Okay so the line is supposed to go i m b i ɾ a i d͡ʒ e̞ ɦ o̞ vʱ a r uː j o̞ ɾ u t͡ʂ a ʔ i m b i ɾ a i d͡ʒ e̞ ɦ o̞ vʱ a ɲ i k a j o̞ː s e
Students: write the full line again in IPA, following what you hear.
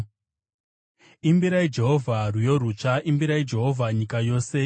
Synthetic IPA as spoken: i m b i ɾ a i d͡ʒ e̞ ɦ o̞ vʱ a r u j o̞ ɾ u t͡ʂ a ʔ i m b i ɾ a i d͡ʒ e̞ ɦ o̞ vʱ a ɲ i k a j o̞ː s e